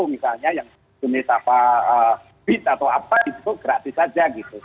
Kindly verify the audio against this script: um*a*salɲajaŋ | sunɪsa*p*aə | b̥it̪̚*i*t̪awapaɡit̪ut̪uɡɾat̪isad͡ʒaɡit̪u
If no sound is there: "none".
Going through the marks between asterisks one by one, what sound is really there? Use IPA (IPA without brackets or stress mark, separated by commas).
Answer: i, p, a